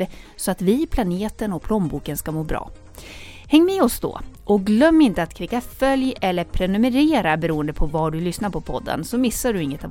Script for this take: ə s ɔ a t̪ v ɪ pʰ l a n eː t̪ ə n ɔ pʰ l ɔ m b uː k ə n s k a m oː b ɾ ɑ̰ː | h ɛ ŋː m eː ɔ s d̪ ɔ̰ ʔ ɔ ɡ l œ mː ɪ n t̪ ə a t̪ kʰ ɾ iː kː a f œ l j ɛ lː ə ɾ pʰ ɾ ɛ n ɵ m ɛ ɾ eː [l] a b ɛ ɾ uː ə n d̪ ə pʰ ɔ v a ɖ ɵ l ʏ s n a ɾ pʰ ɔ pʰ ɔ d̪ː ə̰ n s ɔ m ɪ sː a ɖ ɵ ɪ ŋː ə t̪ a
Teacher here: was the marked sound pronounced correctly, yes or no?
no